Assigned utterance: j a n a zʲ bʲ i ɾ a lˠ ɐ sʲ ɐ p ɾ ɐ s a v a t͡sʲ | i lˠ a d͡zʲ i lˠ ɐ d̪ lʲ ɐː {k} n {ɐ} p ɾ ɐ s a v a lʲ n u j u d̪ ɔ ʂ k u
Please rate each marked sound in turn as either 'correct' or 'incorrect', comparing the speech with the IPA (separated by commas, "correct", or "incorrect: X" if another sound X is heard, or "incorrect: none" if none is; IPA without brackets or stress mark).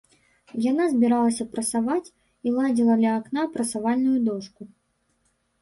correct, incorrect: a